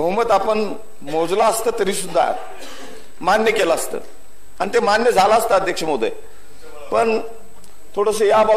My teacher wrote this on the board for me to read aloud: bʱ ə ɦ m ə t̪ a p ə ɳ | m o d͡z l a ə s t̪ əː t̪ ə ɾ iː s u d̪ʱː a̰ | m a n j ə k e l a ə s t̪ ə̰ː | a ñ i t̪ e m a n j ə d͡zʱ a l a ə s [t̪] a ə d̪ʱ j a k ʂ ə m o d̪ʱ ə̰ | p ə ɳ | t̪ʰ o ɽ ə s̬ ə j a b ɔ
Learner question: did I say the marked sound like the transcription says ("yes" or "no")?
yes